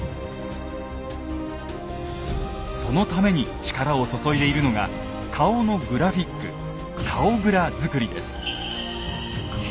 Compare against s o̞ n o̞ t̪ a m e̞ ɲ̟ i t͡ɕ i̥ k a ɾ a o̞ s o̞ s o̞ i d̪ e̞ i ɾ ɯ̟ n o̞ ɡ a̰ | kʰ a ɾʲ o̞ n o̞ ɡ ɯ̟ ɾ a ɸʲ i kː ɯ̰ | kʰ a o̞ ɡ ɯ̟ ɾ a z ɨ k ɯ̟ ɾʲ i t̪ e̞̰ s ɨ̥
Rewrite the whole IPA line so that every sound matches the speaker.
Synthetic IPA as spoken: s o̞ n o̞ t̪ a m e̞ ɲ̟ i t͡ɕ i̥ k a ɾ a o̞ s o̞ s o̞ i d̪ e̞ i ɾ ɯ̟ n o̞ ɡ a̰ | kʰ a o̞ n o̞ ɡ ɯ̟ ɾ a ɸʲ i kː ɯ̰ | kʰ a o̞ ɡ ɯ̟ ɾ a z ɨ k ɯ̟ ɾʲ i d̪ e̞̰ s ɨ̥